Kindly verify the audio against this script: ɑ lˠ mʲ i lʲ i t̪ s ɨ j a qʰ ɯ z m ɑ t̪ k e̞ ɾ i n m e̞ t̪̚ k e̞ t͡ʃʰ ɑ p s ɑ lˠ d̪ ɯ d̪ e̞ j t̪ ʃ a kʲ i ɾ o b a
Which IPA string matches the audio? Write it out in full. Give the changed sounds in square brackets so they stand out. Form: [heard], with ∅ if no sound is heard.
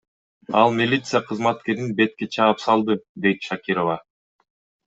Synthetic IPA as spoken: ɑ lˠ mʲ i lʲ i t̪ s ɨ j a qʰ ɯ z m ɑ t̪ k e̞ ɾ i n [b] e̞ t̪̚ k e̞ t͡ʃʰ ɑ p s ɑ lˠ d̪ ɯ d̪ e̞ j t̪ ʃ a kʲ i ɾ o [v] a